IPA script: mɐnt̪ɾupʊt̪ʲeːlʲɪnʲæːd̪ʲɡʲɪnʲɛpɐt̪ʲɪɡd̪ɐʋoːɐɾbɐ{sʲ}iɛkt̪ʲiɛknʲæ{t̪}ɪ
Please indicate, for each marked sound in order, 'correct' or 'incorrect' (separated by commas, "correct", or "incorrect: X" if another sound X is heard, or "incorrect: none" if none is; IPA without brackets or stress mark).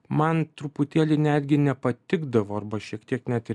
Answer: incorrect: ʃʲ, correct